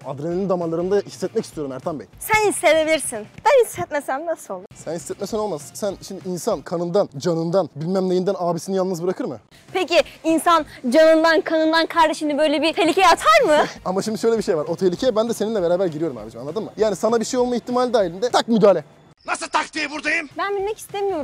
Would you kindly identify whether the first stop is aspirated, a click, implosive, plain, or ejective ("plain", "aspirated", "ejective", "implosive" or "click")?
plain